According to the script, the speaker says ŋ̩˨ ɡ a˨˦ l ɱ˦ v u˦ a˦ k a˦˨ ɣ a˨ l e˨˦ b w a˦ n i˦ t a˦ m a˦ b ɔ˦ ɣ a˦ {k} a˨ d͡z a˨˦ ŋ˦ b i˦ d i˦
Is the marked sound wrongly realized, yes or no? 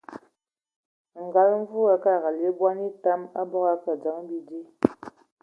no